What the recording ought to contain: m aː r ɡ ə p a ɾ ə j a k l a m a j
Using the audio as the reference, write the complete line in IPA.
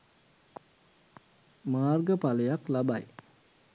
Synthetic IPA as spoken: m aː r ɡ ə p a l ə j a k l a b a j